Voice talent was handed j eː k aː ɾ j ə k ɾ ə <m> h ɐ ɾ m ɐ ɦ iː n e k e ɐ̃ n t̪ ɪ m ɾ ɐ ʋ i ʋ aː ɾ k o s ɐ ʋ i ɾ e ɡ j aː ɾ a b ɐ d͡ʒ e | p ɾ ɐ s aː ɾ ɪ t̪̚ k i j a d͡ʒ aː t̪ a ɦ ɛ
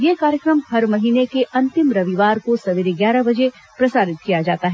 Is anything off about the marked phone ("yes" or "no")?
no